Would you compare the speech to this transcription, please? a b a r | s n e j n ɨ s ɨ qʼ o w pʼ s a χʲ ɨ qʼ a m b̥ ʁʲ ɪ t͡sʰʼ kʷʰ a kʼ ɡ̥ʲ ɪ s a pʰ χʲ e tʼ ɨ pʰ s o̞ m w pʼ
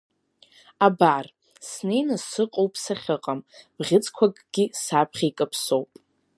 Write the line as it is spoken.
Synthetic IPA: a b a r | s n e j n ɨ s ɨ qʼ o w pʼ s a χʲ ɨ qʼ a m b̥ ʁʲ ɪ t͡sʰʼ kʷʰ a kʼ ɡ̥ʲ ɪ s a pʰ χʲ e kʼ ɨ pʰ s o̞ w pʼ